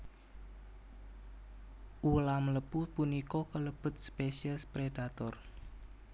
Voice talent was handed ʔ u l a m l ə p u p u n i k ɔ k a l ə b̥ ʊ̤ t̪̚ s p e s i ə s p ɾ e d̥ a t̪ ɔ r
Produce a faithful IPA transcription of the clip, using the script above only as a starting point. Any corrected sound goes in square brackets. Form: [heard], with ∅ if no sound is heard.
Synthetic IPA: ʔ u l a m l ə p u p u n i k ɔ k [ə] l ə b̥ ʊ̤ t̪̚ s p e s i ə s p ɾ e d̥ a t̪ ɔ r